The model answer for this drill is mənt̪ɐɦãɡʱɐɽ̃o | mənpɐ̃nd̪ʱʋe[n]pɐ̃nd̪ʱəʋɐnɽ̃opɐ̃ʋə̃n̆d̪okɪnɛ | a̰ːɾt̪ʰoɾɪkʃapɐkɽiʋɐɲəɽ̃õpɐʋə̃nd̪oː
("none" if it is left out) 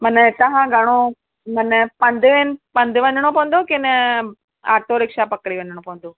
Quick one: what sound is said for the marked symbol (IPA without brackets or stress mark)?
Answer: n